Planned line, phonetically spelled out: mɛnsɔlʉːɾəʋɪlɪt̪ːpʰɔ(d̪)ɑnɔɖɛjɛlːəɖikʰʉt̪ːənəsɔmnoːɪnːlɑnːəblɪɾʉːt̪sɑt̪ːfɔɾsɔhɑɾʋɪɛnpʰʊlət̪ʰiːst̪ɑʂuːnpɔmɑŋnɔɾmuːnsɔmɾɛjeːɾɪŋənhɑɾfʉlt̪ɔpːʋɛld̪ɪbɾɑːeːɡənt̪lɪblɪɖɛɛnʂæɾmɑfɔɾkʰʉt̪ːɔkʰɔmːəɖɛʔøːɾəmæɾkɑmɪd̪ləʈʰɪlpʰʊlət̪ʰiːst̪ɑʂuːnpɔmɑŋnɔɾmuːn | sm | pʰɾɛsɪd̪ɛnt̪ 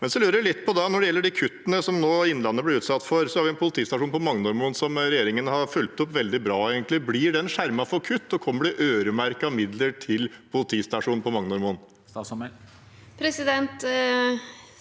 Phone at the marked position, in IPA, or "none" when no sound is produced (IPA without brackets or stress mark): d̪